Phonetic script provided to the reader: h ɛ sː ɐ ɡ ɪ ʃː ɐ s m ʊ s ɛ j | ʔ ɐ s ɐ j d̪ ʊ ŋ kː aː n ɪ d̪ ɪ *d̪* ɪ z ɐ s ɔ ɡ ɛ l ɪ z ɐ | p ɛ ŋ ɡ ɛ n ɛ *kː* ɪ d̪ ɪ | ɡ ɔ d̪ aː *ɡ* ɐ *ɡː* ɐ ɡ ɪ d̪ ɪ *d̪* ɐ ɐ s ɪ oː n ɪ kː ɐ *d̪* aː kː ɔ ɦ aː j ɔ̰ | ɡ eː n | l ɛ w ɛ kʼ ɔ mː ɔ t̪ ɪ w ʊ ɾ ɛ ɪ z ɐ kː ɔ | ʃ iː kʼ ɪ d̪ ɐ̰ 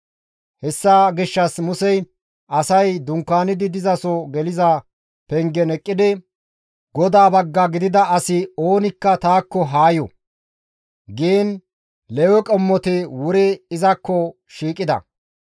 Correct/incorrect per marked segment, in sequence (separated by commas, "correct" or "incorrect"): correct, incorrect, incorrect, correct, correct, incorrect